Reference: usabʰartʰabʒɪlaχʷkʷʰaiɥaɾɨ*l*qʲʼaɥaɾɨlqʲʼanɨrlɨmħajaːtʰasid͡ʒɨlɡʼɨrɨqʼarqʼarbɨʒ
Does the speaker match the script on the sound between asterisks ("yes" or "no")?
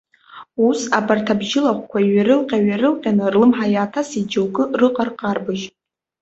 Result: yes